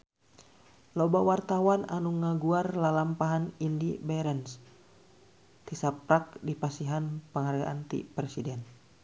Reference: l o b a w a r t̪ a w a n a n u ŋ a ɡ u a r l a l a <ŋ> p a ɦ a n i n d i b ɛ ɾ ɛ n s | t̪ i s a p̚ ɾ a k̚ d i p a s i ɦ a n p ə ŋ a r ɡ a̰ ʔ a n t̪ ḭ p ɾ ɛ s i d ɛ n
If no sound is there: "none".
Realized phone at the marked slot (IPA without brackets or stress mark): m